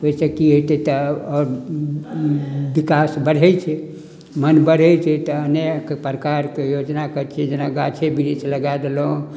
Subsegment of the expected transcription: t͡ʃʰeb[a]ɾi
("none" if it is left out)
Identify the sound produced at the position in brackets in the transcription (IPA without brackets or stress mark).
i